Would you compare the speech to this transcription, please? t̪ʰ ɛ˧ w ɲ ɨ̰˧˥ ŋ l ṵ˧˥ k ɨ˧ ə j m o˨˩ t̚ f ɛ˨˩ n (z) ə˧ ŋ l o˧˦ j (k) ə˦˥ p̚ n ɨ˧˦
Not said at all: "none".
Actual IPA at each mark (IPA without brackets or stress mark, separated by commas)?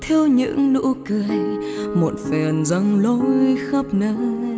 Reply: z, x